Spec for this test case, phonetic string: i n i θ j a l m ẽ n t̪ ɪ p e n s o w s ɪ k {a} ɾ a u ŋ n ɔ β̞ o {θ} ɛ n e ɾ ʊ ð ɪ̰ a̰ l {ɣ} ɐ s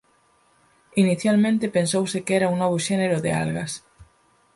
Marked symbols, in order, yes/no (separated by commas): no, no, yes